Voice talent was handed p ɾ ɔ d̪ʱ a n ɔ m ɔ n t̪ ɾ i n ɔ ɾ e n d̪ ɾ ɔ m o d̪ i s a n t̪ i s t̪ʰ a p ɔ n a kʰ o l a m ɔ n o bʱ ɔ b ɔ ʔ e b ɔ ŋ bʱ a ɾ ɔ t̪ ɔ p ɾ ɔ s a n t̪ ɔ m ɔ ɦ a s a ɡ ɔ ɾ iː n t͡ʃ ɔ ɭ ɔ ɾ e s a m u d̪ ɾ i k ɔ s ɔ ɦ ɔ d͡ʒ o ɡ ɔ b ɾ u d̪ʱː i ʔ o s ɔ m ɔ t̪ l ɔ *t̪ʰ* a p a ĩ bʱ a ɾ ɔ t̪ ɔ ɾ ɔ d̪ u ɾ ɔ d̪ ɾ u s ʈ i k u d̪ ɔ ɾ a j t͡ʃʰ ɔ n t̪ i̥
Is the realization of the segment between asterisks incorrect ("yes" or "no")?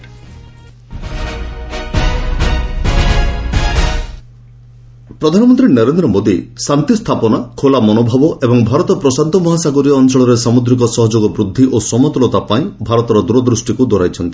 yes